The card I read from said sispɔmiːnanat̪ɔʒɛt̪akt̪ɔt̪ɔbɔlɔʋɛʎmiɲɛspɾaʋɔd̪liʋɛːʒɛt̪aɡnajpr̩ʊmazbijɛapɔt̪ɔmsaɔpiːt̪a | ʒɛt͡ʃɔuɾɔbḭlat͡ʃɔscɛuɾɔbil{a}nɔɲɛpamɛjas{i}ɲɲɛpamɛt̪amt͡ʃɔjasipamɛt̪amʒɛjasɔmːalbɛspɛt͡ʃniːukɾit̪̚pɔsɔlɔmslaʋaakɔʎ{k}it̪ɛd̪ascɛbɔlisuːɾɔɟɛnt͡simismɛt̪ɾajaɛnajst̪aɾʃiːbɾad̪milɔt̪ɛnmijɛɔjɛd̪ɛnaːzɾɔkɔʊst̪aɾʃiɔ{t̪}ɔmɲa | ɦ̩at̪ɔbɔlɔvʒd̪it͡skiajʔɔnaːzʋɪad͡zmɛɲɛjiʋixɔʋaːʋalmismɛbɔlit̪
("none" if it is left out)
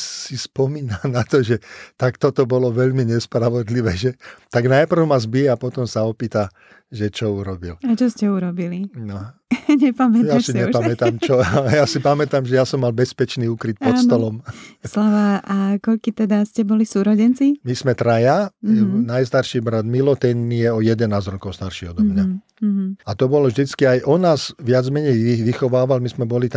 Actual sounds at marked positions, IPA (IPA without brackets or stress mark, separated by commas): i, i, k, d̪